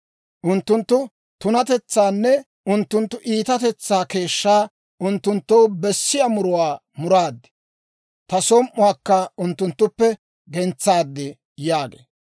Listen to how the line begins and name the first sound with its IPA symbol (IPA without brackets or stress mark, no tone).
ʔ